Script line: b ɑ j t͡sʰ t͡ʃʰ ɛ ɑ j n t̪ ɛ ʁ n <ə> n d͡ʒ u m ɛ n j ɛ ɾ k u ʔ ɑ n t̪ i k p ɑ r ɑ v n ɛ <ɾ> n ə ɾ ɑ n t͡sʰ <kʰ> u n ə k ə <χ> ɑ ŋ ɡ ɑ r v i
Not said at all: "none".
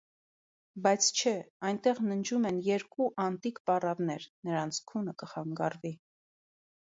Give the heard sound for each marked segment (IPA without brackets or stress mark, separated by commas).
ə, ɾ, kʰ, χ